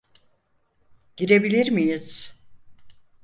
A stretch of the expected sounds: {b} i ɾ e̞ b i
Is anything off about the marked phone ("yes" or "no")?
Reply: yes